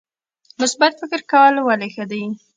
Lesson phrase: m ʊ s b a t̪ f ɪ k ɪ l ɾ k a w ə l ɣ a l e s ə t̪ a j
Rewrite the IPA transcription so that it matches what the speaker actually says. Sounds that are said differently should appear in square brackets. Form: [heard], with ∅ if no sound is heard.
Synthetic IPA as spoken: m ʊ s b a t̪ f ɪ k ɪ [∅] ɾ k a w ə l [w] a l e [x] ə [d̪] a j